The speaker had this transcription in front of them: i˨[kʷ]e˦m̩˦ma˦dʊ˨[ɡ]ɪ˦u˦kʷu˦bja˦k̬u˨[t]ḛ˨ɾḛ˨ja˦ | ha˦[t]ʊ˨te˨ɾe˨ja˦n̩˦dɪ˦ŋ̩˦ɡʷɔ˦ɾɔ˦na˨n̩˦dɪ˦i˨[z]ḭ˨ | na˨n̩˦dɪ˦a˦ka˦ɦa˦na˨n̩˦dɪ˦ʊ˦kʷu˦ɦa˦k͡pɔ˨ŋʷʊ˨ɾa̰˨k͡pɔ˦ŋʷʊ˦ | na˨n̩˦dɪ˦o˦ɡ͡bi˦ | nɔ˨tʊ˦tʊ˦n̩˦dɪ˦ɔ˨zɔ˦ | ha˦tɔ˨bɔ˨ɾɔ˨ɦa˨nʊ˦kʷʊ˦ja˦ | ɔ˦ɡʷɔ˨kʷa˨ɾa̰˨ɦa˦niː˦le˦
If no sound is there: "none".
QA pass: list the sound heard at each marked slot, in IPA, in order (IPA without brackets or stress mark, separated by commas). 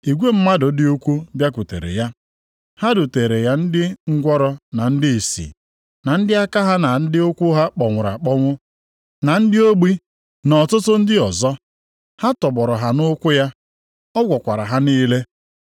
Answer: ɡʷ, d, t, d, s